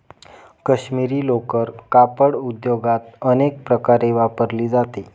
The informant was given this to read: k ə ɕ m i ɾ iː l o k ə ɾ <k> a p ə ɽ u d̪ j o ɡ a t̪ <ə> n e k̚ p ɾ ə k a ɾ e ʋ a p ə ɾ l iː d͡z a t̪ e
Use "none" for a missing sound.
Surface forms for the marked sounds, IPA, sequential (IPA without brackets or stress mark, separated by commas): k, ə